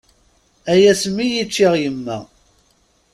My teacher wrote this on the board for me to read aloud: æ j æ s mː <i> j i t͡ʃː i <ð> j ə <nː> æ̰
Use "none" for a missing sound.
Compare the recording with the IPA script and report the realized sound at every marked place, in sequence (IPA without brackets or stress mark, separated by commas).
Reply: i, ʁ, mː